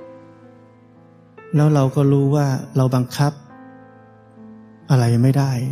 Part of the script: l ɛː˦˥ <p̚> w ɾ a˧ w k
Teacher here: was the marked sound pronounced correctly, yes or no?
no